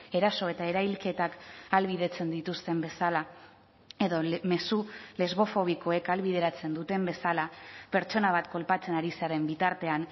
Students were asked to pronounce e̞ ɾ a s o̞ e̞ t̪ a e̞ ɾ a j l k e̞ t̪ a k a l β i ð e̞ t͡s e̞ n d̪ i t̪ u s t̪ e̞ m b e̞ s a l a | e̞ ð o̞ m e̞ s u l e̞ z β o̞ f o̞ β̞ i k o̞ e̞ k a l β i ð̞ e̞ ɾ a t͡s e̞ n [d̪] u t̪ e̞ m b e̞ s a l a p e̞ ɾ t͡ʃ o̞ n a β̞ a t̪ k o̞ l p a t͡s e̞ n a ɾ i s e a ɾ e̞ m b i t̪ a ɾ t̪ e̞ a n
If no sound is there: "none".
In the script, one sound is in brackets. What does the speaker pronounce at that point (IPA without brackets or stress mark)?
d̪